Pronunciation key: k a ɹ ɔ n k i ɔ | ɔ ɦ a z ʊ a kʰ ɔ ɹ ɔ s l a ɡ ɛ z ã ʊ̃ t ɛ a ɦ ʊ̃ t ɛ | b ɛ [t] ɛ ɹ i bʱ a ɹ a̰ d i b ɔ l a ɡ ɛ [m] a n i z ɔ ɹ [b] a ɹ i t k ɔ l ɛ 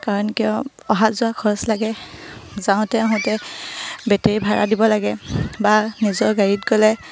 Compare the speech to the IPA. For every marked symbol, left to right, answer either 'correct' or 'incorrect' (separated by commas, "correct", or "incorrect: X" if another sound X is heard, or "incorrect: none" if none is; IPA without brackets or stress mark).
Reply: correct, incorrect: b, incorrect: ɡ